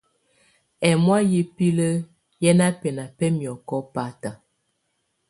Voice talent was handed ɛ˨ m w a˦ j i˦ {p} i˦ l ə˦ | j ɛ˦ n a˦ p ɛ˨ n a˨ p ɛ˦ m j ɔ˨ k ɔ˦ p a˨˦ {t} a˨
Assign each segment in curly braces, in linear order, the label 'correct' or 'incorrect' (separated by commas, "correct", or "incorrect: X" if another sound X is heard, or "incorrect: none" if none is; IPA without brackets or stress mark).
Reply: correct, correct